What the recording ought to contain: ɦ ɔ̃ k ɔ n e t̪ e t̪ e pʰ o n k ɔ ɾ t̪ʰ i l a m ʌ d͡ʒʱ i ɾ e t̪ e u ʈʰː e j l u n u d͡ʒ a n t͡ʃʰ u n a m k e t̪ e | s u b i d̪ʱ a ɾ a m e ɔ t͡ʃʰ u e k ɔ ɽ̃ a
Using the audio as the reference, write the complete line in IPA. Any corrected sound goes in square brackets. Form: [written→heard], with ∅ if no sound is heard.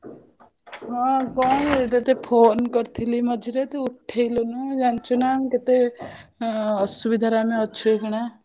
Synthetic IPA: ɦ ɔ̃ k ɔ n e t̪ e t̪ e pʰ o n k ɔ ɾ t̪ʰ i l [a→i] m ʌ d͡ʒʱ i ɾ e t̪ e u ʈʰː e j l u n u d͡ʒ a n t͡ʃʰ u n a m k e t̪ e | s u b i d̪ʱ a ɾ a m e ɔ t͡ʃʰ u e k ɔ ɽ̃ a